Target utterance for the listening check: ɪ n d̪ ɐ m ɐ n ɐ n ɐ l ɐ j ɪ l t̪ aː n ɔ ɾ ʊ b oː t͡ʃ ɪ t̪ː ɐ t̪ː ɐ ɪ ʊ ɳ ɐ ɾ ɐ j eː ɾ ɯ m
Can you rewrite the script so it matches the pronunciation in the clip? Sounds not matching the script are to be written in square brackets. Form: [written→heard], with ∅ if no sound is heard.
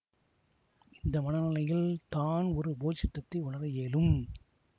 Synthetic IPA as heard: ɪ n d̪ ɐ m ɐ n ɐ n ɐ l ɐ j ɪ l t̪ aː n ɔ ɾ [ʊ→ɯ] b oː t͡ʃ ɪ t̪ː ɐ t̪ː ɐ ɪ ʊ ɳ ɐ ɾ ɐ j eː [ɾ→l] ɯ m